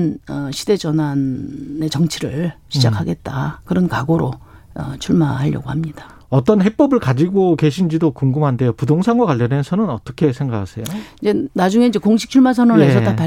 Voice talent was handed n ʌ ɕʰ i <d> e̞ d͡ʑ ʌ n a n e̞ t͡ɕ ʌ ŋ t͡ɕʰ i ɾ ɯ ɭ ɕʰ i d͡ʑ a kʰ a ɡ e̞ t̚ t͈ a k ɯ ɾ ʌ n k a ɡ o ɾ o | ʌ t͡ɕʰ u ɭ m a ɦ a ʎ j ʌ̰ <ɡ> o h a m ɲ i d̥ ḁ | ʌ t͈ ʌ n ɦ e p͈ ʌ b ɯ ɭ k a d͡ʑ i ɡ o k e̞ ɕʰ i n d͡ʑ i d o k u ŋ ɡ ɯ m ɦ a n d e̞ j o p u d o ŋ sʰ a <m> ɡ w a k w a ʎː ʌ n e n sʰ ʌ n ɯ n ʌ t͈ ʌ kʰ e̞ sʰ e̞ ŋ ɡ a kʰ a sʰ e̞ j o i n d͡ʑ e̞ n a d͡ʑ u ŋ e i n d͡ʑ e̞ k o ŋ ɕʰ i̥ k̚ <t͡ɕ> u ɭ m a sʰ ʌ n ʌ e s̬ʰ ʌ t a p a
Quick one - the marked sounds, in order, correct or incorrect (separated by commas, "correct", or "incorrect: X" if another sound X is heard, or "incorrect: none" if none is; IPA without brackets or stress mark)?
correct, correct, incorrect: ŋ, incorrect: t͡ɕʰ